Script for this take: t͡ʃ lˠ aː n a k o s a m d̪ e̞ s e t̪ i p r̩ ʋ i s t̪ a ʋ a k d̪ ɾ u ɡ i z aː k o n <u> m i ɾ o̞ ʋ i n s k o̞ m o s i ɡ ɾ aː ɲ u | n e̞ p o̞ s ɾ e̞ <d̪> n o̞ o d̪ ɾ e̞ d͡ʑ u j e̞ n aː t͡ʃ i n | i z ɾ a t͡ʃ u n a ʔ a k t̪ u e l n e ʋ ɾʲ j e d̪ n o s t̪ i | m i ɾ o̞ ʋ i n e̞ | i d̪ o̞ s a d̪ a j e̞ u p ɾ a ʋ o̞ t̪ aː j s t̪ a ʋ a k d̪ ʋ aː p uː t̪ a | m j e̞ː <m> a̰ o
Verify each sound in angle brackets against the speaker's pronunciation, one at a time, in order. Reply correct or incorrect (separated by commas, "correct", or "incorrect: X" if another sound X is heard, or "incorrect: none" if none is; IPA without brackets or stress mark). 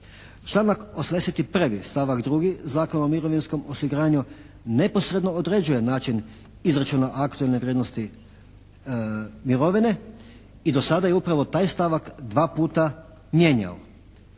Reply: incorrect: o, correct, incorrect: ɲ